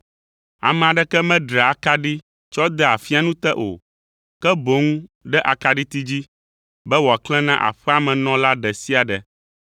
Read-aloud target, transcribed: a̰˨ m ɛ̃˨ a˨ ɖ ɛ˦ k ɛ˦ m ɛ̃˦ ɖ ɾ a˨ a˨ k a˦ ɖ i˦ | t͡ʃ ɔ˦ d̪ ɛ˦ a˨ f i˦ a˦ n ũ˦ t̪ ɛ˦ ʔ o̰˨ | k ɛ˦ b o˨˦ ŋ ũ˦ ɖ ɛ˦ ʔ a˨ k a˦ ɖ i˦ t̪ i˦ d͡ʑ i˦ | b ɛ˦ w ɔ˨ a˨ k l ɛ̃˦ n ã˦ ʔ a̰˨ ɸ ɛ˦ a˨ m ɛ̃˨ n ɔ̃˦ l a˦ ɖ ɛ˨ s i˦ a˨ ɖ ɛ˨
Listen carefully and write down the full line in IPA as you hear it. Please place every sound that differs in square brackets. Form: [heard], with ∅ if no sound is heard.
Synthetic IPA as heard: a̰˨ m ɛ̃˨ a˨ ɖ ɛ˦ k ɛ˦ m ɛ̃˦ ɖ ɾ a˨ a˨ k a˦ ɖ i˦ | t͡ʃ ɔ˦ d̪ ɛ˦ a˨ f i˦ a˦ n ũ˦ t̪ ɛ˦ ʔ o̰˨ | k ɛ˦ b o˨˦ ŋ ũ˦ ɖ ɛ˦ ʔ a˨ k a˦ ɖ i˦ t̪ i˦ d͡ʑ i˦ | b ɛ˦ w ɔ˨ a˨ k l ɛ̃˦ n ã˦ ʔ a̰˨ ɸ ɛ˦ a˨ m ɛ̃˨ n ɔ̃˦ l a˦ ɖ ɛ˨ s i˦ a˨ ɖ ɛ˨